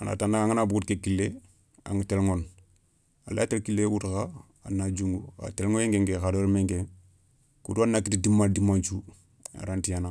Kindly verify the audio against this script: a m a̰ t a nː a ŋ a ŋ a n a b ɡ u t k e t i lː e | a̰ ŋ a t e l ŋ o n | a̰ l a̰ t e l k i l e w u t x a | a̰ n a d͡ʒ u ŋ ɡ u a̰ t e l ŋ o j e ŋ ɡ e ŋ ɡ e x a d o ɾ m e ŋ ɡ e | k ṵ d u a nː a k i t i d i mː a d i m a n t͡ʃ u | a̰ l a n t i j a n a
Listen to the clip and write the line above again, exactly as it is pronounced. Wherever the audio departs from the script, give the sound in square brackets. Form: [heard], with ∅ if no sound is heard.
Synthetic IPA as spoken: a [n] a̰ t a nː a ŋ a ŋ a n a b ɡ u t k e [k] i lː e | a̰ ŋ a t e l ŋ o n | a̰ l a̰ t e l k i l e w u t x a | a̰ n a d͡ʒ u ŋ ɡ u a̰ t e l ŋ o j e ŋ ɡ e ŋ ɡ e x a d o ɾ m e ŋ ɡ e | k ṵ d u a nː a k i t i d i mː a d i m a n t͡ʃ u | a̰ [ɾ] a n t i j a n a